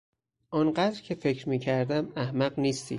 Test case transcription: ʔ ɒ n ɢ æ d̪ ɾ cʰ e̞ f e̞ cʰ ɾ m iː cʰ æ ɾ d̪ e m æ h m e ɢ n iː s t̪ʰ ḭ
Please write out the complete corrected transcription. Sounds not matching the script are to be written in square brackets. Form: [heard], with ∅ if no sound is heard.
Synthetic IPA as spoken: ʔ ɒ n ɢ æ d̪ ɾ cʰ e̞ f e̞ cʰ ɾ m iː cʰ æ ɾ d̪ [æ] m æ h m [æ] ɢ n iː s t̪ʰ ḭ

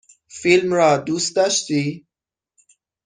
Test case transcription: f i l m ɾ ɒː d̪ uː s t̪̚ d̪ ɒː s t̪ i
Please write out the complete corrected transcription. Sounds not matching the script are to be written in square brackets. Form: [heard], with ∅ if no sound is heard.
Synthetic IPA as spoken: f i l m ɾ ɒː d̪ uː s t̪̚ d̪ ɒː [ʃ] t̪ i

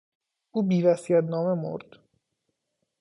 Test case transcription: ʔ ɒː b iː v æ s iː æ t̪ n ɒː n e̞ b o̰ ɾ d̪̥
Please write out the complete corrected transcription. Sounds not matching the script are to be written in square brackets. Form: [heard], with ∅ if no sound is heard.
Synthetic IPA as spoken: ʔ [uː] b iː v æ s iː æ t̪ n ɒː [m] e̞ [m] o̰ ɾ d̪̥

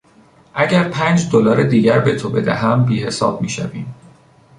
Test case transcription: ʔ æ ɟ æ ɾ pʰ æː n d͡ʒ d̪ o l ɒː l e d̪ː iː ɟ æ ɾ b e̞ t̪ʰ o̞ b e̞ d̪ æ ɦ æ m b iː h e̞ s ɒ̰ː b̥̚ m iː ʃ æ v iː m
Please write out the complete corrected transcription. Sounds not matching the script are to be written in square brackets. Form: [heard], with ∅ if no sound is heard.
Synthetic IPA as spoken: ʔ æ ɟ æ ɾ pʰ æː n d͡ʒ d̪ o l ɒː [ɾ] e [d̪] iː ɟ æ ɾ b e̞ t̪ʰ o̞ b e̞ d̪ æ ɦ æ m b iː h e̞ s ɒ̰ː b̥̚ m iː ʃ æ v iː m

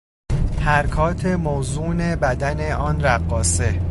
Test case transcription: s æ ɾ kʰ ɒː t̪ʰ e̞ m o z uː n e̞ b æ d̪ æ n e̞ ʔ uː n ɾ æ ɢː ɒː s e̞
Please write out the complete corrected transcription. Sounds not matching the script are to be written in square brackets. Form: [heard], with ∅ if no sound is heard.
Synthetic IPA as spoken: [h] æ ɾ kʰ ɒː t̪ʰ e̞ m o z uː n e̞ b æ d̪ æ n e̞ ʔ [ɒː] n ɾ æ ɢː ɒː s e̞

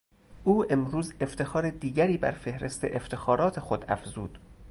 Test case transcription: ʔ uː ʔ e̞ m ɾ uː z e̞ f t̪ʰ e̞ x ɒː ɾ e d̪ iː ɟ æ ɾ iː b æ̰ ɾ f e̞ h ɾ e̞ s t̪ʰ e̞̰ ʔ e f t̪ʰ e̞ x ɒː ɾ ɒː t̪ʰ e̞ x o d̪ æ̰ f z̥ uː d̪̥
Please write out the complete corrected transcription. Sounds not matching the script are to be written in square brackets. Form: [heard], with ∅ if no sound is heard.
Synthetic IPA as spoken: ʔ uː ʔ e̞ m ɾ uː z e̞ f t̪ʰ e̞ x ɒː ɾ e d̪ iː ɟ æ ɾ iː b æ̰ ɾ f e̞ h ɾ e̞ s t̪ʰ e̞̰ ʔ e f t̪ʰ e̞ x ɒː ɾ ɒː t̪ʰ e̞ x o d̪ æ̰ f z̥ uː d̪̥

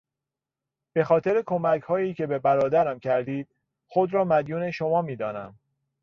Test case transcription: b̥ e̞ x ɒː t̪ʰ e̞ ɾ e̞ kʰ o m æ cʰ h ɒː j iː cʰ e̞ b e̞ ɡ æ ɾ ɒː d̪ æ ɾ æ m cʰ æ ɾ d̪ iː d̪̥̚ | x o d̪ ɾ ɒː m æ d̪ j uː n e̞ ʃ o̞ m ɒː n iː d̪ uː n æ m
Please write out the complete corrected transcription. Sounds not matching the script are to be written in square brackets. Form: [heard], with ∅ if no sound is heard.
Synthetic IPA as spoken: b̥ e̞ x ɒː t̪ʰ e̞ ɾ e̞ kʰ o m æ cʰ h ɒː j iː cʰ e̞ b e̞ [b] æ ɾ ɒː d̪ æ ɾ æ m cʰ æ ɾ d̪ iː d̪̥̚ | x o d̪ ɾ ɒː m æ d̪ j uː n e̞ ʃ o̞ m ɒː [m] iː d̪ [ɒː] n æ m

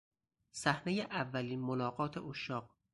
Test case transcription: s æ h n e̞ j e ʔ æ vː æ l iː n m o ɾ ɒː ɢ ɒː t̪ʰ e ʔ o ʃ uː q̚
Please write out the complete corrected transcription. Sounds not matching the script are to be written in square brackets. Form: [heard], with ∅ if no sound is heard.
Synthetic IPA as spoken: s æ h n e̞ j e ʔ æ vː æ l iː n m o [l] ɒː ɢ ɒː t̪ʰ e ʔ o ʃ [ɒː] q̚

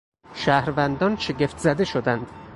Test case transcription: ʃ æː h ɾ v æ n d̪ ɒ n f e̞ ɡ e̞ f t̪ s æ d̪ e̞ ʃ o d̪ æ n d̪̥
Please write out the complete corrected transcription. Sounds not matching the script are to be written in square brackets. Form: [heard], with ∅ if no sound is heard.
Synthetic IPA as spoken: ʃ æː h ɾ v æ n d̪ ɒ n [ʃ] e̞ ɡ e̞ f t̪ [z] æ d̪ e̞ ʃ o d̪ æ n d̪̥

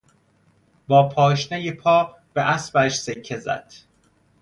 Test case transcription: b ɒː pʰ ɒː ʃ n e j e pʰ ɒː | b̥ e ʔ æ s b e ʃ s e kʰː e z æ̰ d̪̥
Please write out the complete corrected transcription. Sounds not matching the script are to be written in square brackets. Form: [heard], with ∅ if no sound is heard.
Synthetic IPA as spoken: b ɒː pʰ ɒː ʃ n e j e pʰ ɒː | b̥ e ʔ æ s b [æ] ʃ s e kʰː e z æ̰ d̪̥

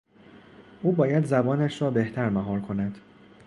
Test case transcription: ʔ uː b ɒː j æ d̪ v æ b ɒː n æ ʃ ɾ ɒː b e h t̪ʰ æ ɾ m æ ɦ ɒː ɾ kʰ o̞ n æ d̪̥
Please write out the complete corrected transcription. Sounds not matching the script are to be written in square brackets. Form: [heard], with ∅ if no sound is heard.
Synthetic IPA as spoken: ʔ uː b ɒː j æ d̪ [z] æ b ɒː n æ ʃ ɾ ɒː b e h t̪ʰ æ ɾ m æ ɦ ɒː ɾ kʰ o̞ n æ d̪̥

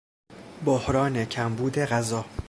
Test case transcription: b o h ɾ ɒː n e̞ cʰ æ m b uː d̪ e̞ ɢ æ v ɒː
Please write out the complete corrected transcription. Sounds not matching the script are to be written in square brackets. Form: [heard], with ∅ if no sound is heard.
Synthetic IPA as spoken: b o h ɾ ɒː n e̞ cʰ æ m b uː d̪ e̞ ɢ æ [z] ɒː

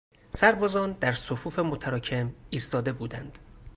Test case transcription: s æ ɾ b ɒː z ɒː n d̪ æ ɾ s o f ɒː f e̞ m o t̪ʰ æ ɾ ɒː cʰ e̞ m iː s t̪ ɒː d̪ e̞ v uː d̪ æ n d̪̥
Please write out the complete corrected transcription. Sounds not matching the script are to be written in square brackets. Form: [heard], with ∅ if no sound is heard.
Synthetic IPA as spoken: s æ ɾ b ɒː z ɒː n d̪ æ ɾ s o f [uː] f e̞ m o t̪ʰ æ ɾ ɒː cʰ e̞ m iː s t̪ ɒː d̪ e̞ [b] uː d̪ æ n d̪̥

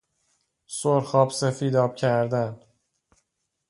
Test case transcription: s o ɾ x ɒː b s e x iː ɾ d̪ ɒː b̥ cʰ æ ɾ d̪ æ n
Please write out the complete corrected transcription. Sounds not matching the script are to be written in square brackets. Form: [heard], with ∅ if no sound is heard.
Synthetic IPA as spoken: s o ɾ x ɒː b s e [f] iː [∅] d̪ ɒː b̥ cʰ æ ɾ d̪ æ n

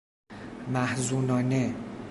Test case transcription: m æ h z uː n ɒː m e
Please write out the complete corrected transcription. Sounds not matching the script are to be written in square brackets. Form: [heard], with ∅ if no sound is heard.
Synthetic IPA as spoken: m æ h z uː n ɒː [n] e

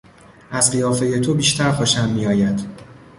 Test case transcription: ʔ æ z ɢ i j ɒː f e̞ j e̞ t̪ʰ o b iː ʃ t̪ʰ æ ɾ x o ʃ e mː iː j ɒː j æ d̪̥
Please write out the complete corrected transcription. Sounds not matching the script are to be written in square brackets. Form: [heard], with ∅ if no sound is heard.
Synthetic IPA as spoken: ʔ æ z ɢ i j ɒː f e̞ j e̞ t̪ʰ o b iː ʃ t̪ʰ æ ɾ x o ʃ [æ] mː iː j ɒː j æ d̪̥

